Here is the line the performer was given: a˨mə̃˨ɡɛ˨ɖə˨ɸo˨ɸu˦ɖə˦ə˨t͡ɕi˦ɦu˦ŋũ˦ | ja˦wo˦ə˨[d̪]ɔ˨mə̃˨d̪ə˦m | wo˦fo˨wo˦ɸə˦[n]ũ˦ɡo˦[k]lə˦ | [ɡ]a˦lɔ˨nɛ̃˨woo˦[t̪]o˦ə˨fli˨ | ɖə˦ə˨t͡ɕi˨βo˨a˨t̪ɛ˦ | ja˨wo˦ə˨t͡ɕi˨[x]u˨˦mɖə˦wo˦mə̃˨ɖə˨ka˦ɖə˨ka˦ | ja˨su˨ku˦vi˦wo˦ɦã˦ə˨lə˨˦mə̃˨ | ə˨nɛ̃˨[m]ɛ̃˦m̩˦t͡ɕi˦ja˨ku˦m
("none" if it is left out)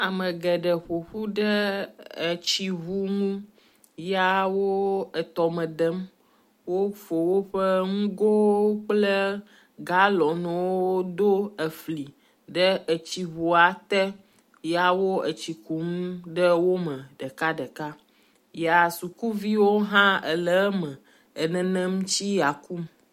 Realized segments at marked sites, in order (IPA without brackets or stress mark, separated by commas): t̪, ŋ, k͡p, ɡ, d̪, k, n